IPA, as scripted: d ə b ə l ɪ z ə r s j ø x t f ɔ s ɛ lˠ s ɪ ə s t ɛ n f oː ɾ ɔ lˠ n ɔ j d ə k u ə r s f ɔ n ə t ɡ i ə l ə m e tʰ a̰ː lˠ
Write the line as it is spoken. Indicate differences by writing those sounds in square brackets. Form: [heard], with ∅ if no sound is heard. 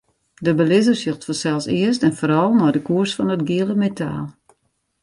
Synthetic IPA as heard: d ə b ə l ɪ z ə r s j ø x t f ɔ s ɛ lˠ s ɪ ə s t ɛ n f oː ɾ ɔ lˠ n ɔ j d ə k u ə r s f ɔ n ə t ɡ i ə l ə m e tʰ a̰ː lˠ